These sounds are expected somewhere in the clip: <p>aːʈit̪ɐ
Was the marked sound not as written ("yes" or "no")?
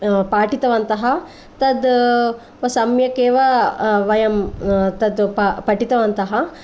no